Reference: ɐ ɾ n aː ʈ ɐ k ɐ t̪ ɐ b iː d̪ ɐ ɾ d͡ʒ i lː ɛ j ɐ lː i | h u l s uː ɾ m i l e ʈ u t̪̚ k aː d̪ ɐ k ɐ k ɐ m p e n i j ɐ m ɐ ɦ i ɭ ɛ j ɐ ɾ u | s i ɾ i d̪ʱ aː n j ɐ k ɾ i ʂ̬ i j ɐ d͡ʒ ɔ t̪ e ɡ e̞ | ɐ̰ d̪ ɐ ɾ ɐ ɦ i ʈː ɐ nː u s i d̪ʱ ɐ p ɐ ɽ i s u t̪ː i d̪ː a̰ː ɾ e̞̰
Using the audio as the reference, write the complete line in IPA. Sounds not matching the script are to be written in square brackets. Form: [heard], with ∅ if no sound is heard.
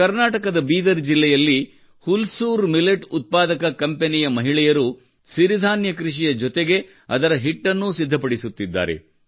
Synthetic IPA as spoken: ɐ ɾ n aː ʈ ɐ k ɐ [d̪] ɐ b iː d̪ ɐ ɾ d͡ʒ i lː ɛ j ɐ lː i | h u l s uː ɾ m i l e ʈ u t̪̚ [p] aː d̪ ɐ k ɐ k ɐ m p e n i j ɐ m ɐ ɦ i ɭ ɛ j ɐ ɾ u | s i ɾ i d̪ʱ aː n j ɐ k ɾ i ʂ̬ i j ɐ d͡ʒ ɔ t̪ e ɡ e̞ | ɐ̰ d̪ ɐ ɾ ɐ ɦ i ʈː ɐ nː u s i [d̪ʱː] ɐ p ɐ ɽ i s u t̪ː i d̪ː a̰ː ɾ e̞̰